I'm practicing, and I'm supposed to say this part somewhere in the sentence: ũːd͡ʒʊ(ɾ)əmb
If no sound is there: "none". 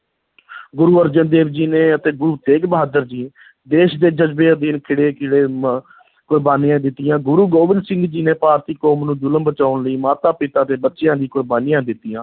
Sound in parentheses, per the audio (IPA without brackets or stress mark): l